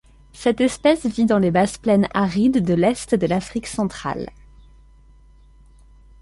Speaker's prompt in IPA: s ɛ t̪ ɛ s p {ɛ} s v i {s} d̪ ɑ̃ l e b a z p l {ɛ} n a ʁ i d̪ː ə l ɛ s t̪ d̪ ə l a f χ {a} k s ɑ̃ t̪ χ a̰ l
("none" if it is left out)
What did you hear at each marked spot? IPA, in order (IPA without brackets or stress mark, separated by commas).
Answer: ɛ, none, ɛ, i